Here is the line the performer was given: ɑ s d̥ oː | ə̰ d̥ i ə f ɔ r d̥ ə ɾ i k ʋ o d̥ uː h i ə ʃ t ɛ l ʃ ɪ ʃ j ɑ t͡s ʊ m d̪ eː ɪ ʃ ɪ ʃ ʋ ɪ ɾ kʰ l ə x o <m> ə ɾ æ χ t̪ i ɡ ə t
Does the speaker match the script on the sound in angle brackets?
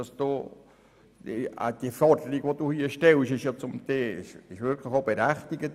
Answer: no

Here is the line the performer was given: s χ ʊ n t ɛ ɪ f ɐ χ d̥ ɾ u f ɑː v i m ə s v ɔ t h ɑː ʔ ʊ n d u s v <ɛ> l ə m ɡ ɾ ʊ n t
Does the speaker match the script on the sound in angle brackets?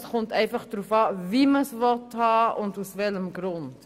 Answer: yes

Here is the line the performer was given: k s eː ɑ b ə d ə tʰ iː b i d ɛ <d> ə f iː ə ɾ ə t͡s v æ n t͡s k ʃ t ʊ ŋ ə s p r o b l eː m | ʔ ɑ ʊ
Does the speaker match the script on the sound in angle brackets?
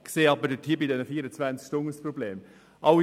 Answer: no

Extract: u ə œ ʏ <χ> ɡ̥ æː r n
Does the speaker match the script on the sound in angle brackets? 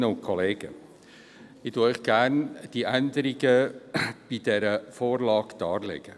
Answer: yes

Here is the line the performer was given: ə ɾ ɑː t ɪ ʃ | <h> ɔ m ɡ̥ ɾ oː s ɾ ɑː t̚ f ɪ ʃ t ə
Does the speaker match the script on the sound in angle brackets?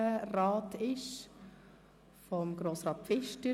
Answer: no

